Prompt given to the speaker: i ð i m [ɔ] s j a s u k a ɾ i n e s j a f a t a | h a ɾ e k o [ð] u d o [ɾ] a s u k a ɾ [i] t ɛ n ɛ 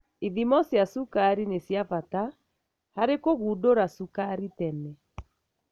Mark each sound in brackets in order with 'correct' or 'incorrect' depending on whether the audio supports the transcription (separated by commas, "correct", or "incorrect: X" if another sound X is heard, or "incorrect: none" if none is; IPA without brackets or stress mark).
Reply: correct, incorrect: ɣ, correct, correct